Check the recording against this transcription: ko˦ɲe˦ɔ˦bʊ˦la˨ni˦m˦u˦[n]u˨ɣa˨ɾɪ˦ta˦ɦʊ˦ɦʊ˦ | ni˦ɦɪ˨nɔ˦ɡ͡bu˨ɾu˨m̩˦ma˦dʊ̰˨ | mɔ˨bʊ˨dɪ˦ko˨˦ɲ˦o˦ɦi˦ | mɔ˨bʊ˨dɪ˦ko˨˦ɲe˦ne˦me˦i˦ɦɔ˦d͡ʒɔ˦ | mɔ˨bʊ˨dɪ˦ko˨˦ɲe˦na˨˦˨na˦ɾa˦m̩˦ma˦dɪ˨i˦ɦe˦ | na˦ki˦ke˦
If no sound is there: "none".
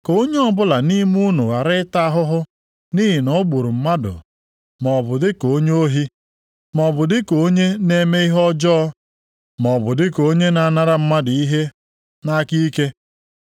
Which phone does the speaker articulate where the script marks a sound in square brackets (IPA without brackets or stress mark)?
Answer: n